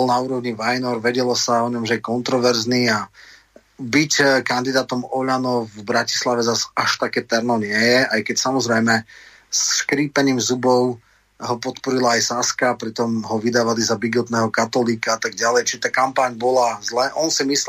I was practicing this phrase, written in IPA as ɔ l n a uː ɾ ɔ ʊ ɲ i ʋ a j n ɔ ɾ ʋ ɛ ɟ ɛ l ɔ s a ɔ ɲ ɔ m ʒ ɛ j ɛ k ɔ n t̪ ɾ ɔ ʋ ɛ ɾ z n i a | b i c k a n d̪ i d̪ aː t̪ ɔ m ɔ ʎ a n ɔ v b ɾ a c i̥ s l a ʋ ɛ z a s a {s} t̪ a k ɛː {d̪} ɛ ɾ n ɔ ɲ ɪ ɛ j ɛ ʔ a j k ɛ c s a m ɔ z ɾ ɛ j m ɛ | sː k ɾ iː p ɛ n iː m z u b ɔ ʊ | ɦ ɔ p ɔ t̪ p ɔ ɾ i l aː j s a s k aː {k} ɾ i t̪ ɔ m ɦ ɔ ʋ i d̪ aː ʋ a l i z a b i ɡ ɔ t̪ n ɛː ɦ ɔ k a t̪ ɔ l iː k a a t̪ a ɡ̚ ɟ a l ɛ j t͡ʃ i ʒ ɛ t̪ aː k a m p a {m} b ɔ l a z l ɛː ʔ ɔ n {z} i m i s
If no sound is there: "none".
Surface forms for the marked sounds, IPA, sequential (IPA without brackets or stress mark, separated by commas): ʃ, t̪, p, ɲ, s